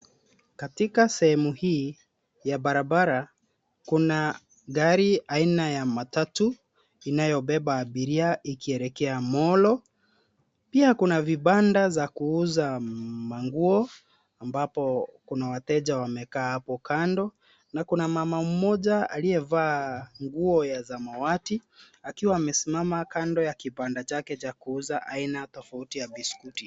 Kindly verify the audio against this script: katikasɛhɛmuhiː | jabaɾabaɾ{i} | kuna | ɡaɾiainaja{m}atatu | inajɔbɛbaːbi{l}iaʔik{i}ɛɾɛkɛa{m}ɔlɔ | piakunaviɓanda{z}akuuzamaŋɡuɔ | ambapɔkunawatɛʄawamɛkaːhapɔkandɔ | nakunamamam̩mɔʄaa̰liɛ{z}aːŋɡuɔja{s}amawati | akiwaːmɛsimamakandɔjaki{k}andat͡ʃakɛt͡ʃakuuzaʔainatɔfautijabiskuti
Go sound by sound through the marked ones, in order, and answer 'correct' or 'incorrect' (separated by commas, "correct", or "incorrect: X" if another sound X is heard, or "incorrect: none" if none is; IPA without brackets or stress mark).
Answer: incorrect: a, correct, incorrect: ɾ, correct, correct, correct, incorrect: v, incorrect: z, incorrect: p